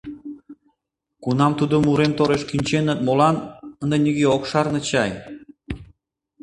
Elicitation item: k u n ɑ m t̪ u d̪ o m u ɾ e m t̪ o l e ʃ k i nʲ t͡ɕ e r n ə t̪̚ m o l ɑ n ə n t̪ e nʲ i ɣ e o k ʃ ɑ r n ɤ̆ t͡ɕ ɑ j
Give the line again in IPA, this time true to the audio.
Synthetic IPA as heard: k u n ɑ m t̪ u d̪ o m u ɾ e m t̪ o ɾ e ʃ k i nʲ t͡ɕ e n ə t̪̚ m o l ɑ n ə n d̪ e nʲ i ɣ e o k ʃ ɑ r n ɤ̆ t͡ɕ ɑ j